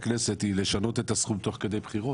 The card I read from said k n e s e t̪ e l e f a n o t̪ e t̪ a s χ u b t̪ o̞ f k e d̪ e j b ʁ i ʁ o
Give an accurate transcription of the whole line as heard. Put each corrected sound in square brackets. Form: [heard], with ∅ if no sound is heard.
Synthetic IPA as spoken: k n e s e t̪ [i] l e [ʃ] a n o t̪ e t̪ a s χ u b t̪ o̞ [χ] k e d̪ e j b [χ] i ʁ o